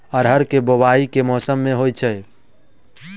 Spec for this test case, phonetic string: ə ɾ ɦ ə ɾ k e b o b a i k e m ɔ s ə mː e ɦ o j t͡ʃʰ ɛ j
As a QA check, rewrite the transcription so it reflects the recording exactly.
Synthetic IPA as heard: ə ɾ ɦ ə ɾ k e b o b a i k e m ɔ s ə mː e ɦ o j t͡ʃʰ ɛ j